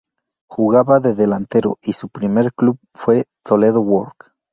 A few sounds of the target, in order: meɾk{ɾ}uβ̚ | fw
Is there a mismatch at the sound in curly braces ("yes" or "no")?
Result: yes